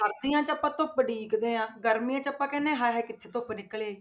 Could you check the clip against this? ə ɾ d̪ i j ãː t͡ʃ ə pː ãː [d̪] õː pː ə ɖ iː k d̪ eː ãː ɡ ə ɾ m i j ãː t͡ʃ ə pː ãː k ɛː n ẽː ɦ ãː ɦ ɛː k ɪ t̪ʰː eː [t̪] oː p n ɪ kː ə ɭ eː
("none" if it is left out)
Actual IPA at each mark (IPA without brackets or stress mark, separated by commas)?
t̪, t̪